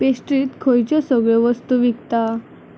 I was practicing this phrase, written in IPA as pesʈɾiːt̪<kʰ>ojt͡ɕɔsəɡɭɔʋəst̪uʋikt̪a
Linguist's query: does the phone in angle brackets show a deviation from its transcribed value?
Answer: no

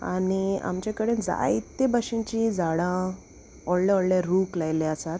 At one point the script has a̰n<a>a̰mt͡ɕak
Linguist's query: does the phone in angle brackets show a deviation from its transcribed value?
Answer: yes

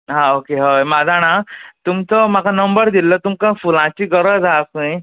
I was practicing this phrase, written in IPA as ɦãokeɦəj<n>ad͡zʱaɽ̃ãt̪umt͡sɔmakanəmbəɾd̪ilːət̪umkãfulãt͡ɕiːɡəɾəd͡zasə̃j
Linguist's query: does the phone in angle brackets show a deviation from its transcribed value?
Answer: yes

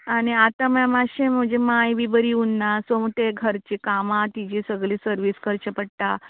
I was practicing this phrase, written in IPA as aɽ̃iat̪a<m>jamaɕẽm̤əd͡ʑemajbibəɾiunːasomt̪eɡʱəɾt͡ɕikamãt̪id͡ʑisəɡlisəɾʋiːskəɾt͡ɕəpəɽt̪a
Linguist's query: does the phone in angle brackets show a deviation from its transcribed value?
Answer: no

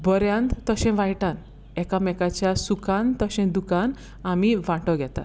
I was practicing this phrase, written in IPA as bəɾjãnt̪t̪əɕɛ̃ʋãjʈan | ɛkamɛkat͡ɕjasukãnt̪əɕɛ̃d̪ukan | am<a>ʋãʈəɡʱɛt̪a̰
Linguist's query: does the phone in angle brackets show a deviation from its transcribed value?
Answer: yes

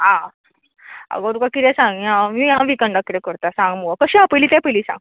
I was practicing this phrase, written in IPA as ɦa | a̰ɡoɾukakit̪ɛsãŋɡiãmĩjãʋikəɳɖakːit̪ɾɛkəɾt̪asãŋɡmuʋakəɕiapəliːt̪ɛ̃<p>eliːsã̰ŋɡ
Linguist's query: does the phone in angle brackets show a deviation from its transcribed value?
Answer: no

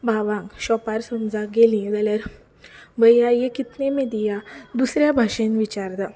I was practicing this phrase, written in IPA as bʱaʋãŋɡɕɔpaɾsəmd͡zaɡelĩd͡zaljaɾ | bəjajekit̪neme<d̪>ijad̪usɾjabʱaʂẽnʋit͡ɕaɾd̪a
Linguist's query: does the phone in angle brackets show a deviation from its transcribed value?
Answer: no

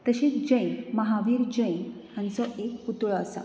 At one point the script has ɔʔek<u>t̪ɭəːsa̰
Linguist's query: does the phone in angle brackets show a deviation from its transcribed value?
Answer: no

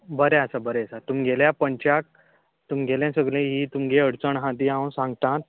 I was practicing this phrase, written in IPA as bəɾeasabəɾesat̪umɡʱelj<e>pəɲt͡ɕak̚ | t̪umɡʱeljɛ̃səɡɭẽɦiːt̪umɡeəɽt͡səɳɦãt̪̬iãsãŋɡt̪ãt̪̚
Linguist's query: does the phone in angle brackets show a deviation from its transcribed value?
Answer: yes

